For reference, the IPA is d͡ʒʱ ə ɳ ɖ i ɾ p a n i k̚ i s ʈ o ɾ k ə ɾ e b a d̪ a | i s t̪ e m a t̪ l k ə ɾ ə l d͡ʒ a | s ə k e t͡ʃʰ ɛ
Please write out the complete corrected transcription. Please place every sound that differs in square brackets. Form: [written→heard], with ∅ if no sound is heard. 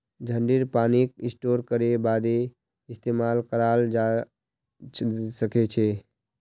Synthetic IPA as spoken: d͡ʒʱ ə ɳ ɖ i ɾ p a n i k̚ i s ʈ o ɾ k ə ɾ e b a d̪ [a→e] | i s t̪ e m a [t̪→∅] l k ə ɾ [ə→a] l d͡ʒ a | s ə k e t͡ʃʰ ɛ